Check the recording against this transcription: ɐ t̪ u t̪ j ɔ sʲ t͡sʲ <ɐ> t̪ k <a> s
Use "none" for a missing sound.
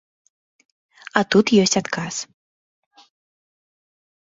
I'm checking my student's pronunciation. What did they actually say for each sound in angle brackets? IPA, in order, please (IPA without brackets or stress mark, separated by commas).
a, a